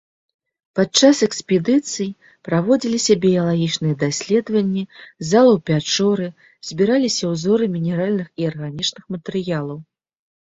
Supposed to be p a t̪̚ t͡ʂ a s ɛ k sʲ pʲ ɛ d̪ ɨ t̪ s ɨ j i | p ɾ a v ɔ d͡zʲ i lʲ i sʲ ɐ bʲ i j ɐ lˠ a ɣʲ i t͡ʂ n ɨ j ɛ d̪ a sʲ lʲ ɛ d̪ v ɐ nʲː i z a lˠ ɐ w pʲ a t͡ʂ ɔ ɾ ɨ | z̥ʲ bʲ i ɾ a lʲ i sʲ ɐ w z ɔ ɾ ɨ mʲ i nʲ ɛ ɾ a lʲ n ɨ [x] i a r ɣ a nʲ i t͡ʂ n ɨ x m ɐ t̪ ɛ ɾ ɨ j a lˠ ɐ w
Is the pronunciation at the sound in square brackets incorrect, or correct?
correct